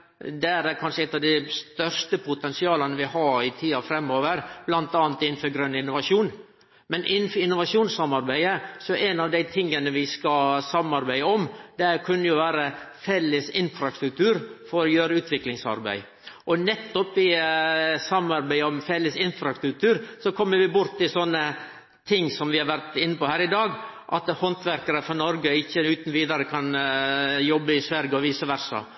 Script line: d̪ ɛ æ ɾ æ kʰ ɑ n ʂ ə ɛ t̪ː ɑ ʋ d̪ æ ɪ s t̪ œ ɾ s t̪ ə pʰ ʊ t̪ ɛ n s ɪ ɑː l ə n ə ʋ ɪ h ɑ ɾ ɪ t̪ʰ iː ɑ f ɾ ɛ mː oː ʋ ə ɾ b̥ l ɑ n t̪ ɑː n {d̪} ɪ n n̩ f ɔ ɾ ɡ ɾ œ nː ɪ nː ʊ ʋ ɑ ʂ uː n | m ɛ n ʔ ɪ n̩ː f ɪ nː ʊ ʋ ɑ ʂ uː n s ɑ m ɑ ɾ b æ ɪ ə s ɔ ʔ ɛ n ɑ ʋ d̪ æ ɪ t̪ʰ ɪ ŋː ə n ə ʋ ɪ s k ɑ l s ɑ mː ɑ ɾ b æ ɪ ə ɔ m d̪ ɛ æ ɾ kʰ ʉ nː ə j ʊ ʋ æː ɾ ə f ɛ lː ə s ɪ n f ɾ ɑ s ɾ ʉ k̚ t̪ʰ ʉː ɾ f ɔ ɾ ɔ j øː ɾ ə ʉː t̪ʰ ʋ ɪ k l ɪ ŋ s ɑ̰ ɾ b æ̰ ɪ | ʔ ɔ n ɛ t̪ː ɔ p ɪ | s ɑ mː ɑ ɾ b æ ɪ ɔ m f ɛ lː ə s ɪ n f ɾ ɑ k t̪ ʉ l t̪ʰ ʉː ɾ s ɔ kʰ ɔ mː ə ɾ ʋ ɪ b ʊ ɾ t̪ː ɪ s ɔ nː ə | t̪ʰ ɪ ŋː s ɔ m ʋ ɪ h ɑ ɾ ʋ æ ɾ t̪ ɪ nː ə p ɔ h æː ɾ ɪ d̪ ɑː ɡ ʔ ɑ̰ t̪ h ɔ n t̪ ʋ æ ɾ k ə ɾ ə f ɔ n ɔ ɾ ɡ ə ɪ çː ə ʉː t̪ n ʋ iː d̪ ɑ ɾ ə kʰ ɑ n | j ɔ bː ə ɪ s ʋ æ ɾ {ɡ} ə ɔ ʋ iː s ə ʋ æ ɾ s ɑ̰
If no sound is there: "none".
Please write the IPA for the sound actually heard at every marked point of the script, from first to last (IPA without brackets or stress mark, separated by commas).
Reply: t̪, ɡ